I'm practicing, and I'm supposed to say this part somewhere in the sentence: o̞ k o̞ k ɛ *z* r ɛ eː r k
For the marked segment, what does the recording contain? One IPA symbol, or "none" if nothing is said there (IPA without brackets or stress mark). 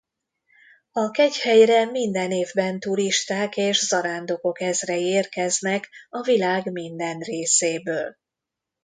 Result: z